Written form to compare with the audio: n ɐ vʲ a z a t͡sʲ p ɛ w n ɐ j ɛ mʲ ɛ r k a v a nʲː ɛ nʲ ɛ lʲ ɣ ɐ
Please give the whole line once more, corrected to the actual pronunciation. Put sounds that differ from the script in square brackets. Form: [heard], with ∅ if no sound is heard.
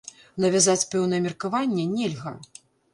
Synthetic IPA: n ɐ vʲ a z a t͡sʲ p ɛ w n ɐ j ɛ mʲ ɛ r k a v a nʲː ɛ nʲ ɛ lʲ ɣ ɐ